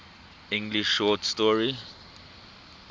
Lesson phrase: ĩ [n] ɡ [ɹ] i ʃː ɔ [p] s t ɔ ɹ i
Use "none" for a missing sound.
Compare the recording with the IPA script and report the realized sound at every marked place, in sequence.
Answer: ŋ, l, t

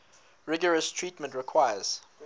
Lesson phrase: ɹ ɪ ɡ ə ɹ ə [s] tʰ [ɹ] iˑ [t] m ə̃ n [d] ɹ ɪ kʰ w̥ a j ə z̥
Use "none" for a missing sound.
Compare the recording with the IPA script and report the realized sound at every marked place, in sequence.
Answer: s, ɹ, t, t

